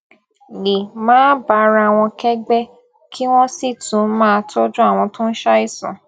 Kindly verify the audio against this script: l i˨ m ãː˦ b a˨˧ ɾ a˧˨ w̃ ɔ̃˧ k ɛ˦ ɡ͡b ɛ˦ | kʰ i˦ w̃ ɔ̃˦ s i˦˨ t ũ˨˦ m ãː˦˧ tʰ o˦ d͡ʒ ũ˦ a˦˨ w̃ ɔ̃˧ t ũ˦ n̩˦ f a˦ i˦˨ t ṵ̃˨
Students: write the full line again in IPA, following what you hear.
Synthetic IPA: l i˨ m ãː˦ b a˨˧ ɾ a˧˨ w̃ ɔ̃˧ k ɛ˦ ɡ͡b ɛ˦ | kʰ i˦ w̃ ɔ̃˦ s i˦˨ t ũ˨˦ m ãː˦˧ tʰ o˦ d͡ʒ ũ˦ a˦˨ w̃ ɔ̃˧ t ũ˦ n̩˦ ʃ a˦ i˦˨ s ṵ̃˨